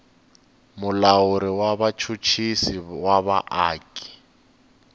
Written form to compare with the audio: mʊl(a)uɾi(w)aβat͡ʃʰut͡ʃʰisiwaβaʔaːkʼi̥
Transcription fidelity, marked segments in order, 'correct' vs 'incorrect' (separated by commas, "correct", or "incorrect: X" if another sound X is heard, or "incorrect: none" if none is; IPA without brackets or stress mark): correct, correct